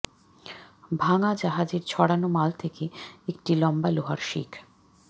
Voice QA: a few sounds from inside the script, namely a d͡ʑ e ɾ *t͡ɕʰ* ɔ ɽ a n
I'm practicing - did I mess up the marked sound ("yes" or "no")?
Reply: no